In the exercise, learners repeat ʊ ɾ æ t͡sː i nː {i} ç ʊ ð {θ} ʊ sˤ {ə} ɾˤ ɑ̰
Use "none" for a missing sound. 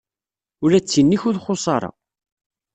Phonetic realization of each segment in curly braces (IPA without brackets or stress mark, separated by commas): i, χ, ɑ